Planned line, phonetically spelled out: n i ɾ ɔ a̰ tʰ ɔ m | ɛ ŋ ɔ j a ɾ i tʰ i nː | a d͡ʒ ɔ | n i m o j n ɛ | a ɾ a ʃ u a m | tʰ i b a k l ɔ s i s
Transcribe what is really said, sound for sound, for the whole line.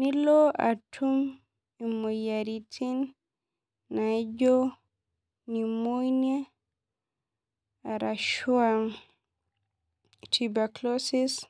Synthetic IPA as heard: n i l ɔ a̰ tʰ u m | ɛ m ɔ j a ɾ i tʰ i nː | a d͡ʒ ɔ | n i m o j n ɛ | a ɾ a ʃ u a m | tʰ i b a k l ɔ s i s

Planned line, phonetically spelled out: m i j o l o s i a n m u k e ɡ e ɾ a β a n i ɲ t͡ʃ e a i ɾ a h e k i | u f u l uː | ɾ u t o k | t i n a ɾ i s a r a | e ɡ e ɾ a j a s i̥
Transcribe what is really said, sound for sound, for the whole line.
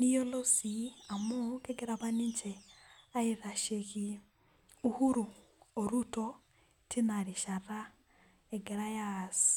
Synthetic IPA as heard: n i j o l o s i a m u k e ɡ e ɾ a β a n i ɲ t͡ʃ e a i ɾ a ʃ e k i | u h u ɾ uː | ɾ u t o | t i n a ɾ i ʃ a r a | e ɡ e ɾ a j a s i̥

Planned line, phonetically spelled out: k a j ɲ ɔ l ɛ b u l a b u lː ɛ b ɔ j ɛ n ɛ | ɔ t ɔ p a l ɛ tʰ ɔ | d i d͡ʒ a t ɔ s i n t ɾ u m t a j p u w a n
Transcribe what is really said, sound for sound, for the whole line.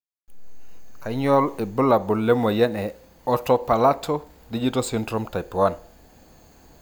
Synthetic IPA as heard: k a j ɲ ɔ l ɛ b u l a b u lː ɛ m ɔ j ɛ n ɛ | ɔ t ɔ p a l a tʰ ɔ | d i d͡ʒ i t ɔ s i n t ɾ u m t a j p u w a n

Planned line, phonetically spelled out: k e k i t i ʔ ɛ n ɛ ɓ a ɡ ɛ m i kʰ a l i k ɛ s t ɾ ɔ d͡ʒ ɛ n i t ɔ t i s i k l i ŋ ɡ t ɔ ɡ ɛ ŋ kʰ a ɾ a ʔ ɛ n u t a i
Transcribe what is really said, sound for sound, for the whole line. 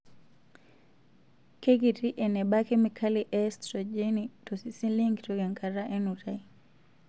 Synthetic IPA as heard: k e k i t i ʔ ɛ n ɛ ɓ a k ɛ m i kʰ a l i ʔ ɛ s t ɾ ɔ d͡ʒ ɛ n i t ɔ s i s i l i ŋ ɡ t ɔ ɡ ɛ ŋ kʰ a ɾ a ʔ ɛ n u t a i

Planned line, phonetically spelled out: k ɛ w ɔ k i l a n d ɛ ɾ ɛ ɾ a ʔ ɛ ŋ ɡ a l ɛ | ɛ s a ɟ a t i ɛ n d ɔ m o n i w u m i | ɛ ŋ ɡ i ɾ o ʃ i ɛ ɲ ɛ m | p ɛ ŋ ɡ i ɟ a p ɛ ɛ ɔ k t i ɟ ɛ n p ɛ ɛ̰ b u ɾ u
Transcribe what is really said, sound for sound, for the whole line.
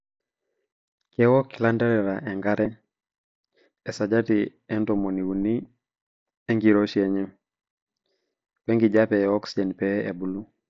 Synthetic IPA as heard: k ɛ w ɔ k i l a n d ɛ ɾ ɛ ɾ a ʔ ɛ ŋ ɡ a ɾ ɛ | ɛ s a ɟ a t i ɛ n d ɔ m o n i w u n i | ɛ ŋ ɡ i ɾ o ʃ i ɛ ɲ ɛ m | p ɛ ŋ ɡ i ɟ a p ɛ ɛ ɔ k s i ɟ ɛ n p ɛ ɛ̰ b u l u

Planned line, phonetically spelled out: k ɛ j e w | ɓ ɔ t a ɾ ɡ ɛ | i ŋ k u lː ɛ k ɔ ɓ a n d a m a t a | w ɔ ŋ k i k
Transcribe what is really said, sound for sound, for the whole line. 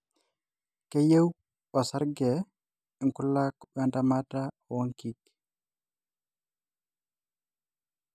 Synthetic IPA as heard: k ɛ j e w | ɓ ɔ s a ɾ ɡ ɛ | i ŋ k u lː a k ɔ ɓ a n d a m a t a | w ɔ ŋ k i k

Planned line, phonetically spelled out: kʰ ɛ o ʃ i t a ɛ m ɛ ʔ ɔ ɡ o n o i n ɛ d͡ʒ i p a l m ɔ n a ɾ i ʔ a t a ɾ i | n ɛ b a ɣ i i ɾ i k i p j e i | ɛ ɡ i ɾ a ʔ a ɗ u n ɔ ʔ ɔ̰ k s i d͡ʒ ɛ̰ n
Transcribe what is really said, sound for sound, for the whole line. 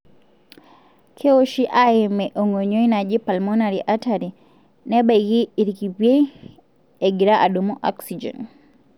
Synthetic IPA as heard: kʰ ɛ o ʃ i ʔ a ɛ m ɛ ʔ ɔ ŋ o ɲ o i n a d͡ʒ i p a l m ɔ n a ɾ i ʔ a t a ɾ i | n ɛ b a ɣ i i ɾ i k i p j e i | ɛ ɡ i ɾ a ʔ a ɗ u m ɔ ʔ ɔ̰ k s i d͡ʒ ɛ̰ n

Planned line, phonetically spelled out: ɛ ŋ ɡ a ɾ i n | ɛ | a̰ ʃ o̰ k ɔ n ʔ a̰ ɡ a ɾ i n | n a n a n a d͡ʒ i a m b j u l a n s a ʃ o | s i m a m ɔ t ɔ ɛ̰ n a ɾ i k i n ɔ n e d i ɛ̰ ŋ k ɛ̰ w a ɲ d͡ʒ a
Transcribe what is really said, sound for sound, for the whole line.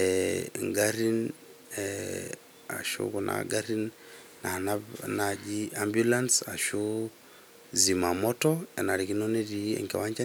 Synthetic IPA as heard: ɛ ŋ ɡ a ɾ i n | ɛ | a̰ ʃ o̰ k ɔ n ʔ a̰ ɡ a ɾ i n | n a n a n a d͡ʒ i a m b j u l a n s a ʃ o | z i m a m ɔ t ɔ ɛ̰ n a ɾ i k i n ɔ n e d i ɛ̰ ŋ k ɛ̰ w a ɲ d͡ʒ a

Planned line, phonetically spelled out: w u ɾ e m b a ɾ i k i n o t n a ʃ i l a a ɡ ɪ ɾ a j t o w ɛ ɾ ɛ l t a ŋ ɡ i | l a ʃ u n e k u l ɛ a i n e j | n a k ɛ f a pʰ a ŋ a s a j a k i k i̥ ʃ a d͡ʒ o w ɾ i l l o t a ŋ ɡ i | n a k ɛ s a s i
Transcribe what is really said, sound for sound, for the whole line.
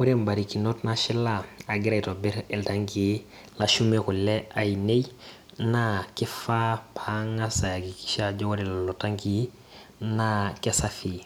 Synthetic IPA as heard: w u ɾ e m b a ɾ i k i n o t n a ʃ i l a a ɡ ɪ ɾ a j t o b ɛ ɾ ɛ l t a ŋ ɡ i | l a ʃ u m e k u l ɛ a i n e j | n a k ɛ f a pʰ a ŋ a s a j a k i k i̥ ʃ a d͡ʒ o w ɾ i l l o t a ŋ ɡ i | n a k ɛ s a f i

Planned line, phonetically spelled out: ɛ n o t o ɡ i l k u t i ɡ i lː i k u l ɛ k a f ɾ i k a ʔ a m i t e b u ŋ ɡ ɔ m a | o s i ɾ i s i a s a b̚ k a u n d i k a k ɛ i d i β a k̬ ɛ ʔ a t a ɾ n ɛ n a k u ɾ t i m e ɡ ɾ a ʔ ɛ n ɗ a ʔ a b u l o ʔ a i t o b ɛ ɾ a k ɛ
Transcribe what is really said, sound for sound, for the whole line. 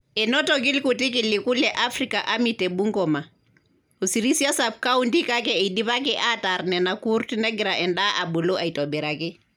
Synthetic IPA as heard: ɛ n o t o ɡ i l k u t i k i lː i k u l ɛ ʔ a f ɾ i k a ʔ a m i t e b u ŋ ɡ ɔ m a | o s i ɾ i s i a s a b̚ k a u n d i k a k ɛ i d i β a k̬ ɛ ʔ a t a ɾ n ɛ n a k u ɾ t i n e ɡ ɾ a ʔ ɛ n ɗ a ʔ a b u l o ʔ a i t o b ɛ ɾ a k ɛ

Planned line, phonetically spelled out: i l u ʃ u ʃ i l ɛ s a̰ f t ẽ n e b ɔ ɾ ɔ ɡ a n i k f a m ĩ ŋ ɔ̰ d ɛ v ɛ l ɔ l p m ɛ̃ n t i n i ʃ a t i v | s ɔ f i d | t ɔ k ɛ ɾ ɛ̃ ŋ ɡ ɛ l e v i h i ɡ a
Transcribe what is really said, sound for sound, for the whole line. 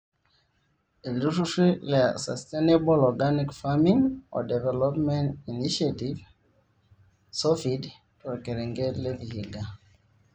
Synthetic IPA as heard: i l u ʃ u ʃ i l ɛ s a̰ s t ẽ n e b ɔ l ɔ ɡ a n i k f a m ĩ ŋ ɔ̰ d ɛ v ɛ l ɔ p m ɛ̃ n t i n i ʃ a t i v | s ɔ f i d | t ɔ k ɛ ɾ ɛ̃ ŋ ɡ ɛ l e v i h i ɡ a

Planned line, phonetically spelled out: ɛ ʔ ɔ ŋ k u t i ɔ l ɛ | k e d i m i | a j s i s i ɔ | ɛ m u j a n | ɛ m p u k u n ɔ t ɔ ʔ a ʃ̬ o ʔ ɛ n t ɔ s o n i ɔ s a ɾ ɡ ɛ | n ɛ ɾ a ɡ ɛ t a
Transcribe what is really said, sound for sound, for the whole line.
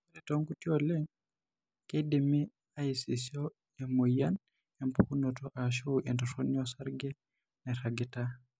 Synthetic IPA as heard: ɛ t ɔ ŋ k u t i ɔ l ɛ | k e d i m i | a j s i s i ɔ | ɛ m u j a n | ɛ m p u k u n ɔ t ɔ ʔ a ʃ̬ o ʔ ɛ n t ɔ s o n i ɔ s a ɾ ɡ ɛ | n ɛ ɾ a ɡ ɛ t a

